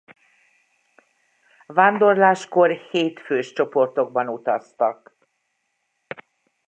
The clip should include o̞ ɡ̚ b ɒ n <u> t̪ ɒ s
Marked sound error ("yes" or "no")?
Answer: no